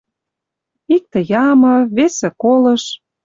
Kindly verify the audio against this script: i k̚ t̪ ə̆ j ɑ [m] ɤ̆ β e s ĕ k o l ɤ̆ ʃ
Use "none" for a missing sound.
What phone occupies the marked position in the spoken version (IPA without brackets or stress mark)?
m